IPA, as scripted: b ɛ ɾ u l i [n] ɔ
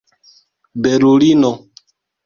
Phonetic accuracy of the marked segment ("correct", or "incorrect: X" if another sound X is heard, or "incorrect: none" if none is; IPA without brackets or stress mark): correct